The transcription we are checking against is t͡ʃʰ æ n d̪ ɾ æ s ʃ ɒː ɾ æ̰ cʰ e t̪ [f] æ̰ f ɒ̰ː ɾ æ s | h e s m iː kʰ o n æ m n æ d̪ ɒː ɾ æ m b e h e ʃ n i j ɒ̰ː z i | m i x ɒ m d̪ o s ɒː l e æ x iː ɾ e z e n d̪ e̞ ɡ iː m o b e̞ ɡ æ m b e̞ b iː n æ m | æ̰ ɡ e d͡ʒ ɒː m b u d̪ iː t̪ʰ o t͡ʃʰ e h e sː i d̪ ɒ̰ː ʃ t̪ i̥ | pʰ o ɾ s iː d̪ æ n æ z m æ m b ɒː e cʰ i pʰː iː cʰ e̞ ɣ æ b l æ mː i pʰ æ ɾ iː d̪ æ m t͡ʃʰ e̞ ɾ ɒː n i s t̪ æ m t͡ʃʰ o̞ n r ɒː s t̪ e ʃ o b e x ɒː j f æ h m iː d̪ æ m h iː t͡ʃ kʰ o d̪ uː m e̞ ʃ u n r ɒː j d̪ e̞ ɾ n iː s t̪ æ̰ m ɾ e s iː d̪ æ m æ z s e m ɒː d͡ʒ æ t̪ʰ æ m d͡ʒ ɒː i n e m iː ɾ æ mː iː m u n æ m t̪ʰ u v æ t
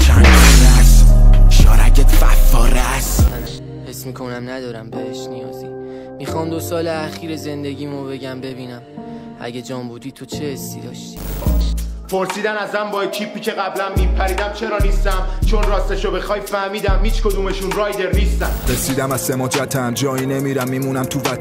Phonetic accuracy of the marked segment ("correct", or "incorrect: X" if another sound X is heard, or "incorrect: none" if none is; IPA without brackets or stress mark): correct